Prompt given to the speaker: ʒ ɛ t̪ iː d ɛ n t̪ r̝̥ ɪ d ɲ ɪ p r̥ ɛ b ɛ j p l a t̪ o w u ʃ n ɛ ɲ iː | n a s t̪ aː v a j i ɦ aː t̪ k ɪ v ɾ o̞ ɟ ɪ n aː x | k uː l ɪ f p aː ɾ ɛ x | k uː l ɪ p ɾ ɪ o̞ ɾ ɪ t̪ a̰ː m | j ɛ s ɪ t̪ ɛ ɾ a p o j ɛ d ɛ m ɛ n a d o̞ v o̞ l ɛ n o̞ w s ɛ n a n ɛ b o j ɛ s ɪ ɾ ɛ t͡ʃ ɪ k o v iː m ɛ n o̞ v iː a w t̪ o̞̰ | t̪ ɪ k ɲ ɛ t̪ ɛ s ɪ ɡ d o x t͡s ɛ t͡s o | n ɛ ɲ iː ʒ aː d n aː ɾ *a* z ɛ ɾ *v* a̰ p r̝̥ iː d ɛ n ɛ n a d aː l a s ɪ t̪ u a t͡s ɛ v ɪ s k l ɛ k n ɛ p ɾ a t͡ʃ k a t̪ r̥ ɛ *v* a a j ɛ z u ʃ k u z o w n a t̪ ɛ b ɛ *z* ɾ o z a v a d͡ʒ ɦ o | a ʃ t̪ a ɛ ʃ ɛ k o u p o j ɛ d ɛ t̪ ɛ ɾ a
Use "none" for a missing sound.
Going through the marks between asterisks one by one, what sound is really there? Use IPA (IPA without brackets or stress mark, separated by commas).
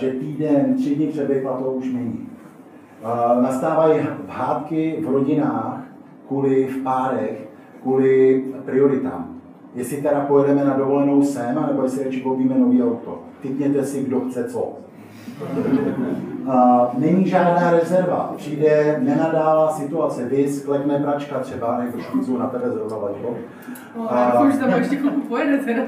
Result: ɛ, v, b, z